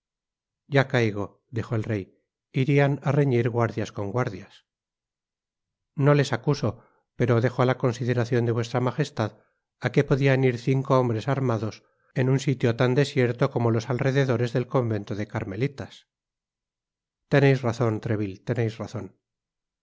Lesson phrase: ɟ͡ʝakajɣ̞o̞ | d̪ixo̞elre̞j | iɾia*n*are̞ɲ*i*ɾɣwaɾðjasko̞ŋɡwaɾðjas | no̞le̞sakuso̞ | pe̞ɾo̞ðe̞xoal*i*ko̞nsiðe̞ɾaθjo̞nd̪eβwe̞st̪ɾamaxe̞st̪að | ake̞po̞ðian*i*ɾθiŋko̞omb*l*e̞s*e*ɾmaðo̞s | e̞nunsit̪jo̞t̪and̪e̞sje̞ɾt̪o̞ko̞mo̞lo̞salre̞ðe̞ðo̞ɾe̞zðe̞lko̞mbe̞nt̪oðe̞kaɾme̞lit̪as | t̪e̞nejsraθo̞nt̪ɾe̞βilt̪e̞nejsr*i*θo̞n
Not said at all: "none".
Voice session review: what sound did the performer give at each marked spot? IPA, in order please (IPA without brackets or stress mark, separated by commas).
n, i, a, i, ɾ, a, a